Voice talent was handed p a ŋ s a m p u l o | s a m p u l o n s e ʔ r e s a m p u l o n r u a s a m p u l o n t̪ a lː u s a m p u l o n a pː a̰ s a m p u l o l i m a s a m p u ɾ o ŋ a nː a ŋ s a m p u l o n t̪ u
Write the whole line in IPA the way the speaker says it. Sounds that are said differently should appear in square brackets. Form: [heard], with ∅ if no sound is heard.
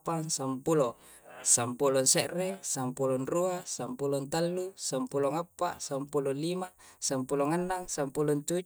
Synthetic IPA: p a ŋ s a m p u l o | s a m p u l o n s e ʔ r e s a m p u l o n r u a s a m p u l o n t̪ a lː u s a m p u l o [ŋ] a pː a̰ s a m p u l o l i m a s a m p u [l] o ŋ a nː a ŋ s a m p u l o n t̪ u